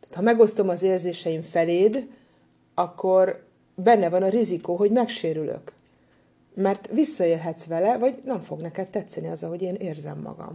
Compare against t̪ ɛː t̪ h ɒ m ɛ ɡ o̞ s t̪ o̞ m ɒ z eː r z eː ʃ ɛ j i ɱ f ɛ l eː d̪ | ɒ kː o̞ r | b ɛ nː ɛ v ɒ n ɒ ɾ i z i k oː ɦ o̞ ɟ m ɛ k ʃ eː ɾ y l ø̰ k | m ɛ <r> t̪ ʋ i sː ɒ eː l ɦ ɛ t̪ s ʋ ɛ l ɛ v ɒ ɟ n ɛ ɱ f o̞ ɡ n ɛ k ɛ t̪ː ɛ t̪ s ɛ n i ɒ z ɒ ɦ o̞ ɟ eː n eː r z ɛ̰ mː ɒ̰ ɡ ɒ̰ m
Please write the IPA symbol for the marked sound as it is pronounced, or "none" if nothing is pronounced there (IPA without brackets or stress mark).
r